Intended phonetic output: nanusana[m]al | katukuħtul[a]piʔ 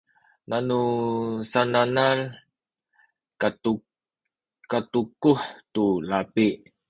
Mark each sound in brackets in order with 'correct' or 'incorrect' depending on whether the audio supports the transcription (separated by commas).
incorrect, correct